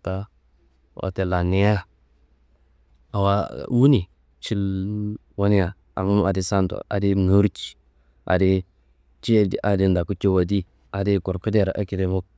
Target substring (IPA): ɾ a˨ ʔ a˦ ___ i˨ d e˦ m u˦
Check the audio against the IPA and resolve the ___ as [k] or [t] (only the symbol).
k